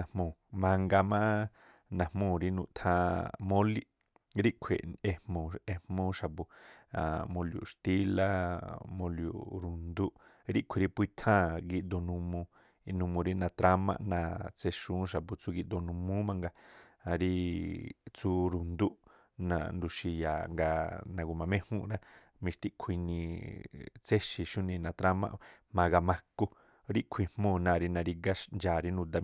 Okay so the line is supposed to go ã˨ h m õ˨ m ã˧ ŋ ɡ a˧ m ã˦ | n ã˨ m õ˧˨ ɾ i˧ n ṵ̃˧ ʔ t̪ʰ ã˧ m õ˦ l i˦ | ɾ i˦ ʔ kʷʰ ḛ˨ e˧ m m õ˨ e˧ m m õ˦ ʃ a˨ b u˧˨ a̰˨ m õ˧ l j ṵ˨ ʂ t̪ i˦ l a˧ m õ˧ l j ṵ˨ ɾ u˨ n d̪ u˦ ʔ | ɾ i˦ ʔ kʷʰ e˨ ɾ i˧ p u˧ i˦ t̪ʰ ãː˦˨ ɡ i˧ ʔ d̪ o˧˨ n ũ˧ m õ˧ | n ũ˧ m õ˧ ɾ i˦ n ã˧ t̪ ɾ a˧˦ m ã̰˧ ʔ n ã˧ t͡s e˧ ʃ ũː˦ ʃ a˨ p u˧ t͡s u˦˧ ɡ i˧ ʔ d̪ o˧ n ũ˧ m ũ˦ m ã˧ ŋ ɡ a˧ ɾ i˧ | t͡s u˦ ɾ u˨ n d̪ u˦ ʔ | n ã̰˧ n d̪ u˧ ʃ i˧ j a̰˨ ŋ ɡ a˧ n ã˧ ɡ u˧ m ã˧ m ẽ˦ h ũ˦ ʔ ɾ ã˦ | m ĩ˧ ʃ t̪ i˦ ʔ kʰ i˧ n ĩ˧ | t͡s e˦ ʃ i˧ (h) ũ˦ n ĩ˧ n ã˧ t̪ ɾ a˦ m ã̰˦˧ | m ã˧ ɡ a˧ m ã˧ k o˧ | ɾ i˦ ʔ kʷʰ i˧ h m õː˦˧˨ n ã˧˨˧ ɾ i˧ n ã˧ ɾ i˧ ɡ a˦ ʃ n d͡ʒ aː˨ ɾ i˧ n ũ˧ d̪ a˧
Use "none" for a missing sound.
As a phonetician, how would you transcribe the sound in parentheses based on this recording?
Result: ʃ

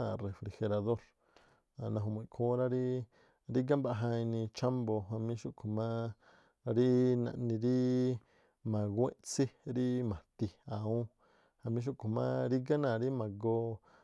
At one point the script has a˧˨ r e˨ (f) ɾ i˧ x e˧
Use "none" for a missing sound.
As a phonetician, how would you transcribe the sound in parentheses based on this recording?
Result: f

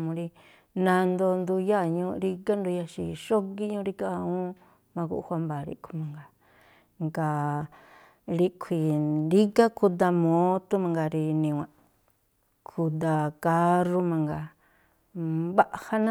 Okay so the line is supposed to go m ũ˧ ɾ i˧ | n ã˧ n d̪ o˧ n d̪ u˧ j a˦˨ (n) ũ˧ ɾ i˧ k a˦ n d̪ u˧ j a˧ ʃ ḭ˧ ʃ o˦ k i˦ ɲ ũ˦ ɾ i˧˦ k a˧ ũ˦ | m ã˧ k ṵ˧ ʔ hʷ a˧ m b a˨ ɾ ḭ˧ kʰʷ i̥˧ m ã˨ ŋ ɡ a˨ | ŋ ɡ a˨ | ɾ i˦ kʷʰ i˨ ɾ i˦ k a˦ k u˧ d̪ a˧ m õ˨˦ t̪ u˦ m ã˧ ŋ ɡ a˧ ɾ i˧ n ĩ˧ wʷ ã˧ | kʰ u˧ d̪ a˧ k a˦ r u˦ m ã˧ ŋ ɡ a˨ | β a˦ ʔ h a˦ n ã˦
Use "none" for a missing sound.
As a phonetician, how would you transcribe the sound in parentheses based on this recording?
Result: ɲ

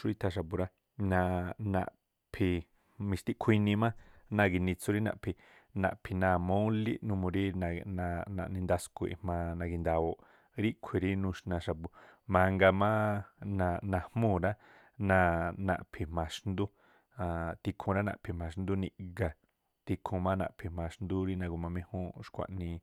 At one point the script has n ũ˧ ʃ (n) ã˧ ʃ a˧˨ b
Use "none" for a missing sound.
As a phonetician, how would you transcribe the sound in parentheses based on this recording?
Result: n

